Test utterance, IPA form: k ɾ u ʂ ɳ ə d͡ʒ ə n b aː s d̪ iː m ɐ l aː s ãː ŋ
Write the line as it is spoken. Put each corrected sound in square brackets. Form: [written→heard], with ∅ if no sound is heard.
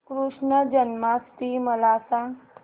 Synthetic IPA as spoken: k ɾ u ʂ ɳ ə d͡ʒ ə n [b→m] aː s [d̪→t̪] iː m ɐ l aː s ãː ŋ